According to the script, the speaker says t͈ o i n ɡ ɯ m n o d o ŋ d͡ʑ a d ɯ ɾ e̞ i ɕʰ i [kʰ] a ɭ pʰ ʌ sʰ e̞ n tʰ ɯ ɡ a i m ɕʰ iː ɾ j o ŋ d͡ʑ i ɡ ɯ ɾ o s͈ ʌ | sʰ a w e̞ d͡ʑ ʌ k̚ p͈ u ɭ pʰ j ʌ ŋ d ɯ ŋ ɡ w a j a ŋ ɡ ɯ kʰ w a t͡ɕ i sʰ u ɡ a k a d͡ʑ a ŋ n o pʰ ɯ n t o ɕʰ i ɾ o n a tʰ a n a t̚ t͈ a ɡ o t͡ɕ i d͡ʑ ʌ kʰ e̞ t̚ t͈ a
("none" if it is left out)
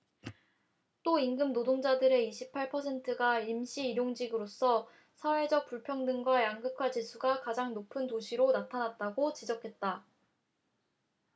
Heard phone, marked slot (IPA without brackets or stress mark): pʰ